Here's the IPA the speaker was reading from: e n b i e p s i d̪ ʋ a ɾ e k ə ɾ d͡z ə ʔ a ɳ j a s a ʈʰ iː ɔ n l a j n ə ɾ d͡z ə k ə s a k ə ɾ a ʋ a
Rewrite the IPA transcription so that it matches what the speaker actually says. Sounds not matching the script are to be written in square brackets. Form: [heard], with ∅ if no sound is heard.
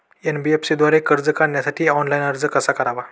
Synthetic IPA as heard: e n b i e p s i d̪ ʋ a ɾ e k ə ɾ d͡z ə [k] a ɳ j a s a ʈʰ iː ɔ n l a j n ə ɾ d͡z ə k ə s a k ə ɾ a ʋ a